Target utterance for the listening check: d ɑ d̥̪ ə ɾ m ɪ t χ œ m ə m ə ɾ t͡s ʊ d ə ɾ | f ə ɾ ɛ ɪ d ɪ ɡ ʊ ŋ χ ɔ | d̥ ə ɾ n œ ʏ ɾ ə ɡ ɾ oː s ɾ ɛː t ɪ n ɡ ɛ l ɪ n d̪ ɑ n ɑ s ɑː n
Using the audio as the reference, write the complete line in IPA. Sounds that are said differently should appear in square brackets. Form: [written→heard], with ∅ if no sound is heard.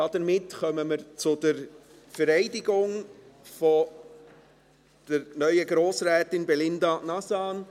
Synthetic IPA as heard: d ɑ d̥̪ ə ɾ m ɪ t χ œ m ə m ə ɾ t͡s ʊ d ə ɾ | f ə ɾ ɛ ɪ d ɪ ɡ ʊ ŋ [χ→f] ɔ | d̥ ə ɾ n œ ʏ [ɾ→∅] ə ɡ ɾ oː s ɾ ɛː t ɪ n [ɡ→b] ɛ l ɪ n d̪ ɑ n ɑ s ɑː n